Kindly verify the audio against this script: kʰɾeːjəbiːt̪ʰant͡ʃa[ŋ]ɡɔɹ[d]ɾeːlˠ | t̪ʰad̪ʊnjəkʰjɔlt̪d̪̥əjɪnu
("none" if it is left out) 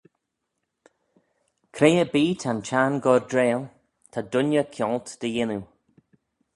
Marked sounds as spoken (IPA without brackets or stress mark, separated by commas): n, d